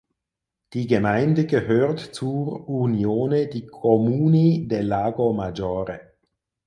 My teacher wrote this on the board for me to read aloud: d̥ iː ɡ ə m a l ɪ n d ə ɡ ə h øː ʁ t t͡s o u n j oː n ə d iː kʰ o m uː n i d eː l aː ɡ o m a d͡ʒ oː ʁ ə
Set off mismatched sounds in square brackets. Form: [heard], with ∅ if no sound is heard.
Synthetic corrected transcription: d̥ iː ɡ ə m a [∅] ɪ n d ə ɡ ə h øː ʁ t t͡s [u] u n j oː n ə d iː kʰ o m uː n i d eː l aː ɡ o m a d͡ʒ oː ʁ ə

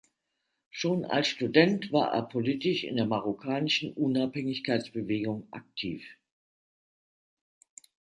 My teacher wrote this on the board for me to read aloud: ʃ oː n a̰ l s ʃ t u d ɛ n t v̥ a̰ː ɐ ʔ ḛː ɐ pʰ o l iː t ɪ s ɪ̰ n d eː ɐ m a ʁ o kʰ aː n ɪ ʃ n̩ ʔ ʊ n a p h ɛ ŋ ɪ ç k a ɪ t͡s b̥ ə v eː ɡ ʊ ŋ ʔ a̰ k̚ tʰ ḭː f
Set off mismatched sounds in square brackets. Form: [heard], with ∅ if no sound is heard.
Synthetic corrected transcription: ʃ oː n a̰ l s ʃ t u d ɛ n t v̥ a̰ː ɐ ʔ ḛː ɐ pʰ o l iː t ɪ [ʃ] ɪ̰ n d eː ɐ m a ʁ o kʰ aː n ɪ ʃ n̩ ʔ ʊ n a p h ɛ ŋ ɪ ç k a ɪ t͡s b̥ ə v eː ɡ ʊ ŋ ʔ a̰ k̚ tʰ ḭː f

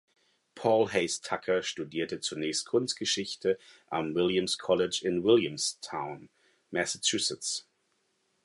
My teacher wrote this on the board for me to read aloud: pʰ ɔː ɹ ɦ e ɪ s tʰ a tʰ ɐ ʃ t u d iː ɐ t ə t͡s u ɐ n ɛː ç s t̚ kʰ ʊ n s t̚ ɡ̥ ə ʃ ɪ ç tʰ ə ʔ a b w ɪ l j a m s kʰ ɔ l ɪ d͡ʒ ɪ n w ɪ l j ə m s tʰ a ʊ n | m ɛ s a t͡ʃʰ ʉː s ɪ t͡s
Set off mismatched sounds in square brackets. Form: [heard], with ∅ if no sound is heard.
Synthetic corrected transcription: pʰ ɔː [l] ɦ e ɪ s tʰ a [kʰ] ɐ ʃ t u d iː ɐ t ə t͡s u ɐ n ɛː ç s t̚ kʰ ʊ n s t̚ ɡ̥ ə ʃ ɪ ç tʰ ə ʔ a [m] w ɪ l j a m s kʰ ɔ l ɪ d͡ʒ ɪ n w ɪ l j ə m s tʰ a ʊ n | m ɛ s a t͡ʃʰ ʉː s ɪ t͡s

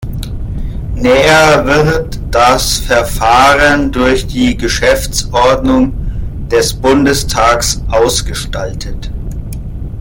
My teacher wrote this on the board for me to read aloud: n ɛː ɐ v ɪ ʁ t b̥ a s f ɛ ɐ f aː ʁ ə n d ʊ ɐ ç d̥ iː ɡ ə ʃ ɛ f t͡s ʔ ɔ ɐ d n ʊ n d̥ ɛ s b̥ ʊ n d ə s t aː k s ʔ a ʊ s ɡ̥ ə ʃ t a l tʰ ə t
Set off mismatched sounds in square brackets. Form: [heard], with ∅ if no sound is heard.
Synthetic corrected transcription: n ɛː ɐ v ɪ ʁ t [d̥] a s f ɛ ɐ f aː ʁ ə n d ʊ ɐ ç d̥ iː ɡ ə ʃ ɛ f t͡s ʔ ɔ ɐ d n ʊ [ŋ] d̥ ɛ s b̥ ʊ n d ə s [tʰ] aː k s ʔ a ʊ s ɡ̥ ə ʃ t a l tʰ ə t

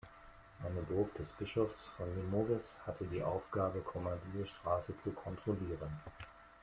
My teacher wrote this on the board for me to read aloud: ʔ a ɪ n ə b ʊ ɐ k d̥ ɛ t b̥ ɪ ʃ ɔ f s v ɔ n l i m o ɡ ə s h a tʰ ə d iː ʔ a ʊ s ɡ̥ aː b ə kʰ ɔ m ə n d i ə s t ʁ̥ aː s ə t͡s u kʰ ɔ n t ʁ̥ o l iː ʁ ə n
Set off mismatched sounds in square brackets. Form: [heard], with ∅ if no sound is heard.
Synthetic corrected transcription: ʔ a ɪ n ə b ʊ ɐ k d̥ ɛ [s] b̥ ɪ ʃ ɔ f s [f] ɔ n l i m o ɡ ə s h a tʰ ə d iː ʔ a ʊ [f] ɡ̥ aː b ə kʰ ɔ m [a] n d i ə [ʃ] t ʁ̥ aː s ə t͡s u kʰ ɔ n t ʁ̥ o l iː ʁ ə n

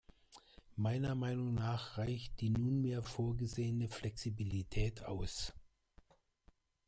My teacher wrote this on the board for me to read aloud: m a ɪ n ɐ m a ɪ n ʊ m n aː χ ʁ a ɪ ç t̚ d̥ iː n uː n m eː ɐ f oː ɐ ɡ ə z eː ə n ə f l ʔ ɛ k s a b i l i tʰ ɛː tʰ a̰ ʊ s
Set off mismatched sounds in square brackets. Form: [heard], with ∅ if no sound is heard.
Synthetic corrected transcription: m a ɪ n ɐ m a ɪ n ʊ [ŋ] n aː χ ʁ a ɪ ç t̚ d̥ iː n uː n m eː ɐ f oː ɐ ɡ ə z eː ə n ə f l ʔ ɛ k s [i] b i l i tʰ ɛː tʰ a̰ ʊ s

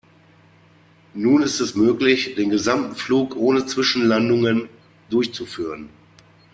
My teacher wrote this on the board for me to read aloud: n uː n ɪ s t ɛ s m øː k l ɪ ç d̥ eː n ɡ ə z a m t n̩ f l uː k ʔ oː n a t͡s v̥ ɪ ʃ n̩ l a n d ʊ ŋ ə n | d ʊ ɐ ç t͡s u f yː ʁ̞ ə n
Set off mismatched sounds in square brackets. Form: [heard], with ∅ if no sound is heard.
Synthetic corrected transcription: n uː n ɪ s t ɛ s m øː k l ɪ ç d̥ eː n ɡ ə z a m t n̩ f l uː k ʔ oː n [ə] t͡s v̥ ɪ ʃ n̩ l a n d ʊ ŋ ə n | d ʊ ɐ ç t͡s u f yː ʁ̞ ə n

